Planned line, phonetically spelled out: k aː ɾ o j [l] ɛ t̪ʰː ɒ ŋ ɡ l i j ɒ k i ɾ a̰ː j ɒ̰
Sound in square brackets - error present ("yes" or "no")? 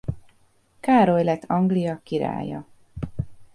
no